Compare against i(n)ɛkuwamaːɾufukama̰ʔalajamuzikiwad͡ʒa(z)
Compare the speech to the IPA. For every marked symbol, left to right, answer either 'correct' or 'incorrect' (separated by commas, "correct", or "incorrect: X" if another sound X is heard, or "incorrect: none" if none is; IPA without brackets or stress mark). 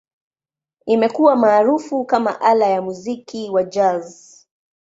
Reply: incorrect: m, correct